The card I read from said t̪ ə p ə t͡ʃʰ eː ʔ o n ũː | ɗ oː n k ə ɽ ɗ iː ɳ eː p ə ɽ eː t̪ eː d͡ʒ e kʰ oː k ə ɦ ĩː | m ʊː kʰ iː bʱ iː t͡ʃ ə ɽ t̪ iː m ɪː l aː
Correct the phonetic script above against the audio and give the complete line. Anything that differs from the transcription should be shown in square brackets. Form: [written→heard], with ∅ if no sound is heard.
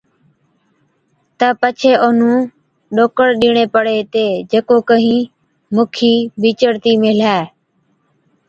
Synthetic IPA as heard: t̪ ə p ə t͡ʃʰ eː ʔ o n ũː | ɗ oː [n→∅] k ə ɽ ɗ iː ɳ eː p ə ɽ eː t̪ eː d͡ʒ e [kʰ→k] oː k ə ɦ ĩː | m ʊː kʰ iː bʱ iː t͡ʃ ə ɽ t̪ iː m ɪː l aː